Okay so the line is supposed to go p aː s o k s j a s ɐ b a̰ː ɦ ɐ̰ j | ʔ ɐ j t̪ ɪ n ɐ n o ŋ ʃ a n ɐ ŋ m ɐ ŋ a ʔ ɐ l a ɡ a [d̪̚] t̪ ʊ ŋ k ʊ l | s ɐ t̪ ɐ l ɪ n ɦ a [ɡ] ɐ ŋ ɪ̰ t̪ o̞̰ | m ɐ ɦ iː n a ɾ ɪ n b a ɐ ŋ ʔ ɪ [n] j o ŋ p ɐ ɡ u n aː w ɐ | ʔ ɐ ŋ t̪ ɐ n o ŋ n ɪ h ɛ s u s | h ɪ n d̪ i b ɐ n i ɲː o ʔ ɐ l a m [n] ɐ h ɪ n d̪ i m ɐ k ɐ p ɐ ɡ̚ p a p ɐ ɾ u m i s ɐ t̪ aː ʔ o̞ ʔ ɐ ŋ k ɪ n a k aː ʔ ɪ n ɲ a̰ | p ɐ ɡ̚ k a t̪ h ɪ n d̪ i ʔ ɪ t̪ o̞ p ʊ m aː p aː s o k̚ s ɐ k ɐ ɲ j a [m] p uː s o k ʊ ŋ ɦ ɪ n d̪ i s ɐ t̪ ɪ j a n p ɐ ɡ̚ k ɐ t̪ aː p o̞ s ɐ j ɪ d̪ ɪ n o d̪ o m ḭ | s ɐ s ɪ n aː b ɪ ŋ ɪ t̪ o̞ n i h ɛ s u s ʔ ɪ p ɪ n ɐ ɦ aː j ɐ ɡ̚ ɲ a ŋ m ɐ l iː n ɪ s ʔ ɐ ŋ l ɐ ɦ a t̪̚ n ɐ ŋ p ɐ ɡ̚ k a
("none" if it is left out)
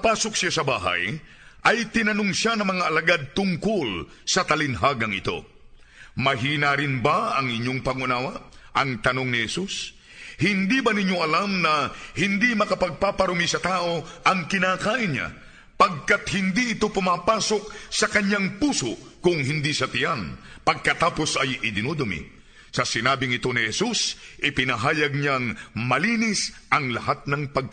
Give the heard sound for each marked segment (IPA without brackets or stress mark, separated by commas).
d̪̚, ɡ, ɲ, n, ŋ